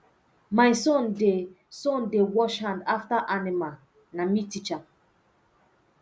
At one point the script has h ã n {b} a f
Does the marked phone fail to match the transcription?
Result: yes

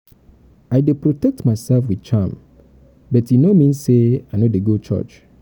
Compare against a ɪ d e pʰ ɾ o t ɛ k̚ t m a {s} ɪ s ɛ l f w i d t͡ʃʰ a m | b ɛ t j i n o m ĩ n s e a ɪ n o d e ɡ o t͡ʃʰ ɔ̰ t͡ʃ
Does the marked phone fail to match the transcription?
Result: yes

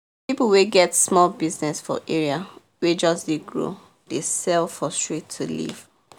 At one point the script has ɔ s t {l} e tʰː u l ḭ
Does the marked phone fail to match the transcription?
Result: yes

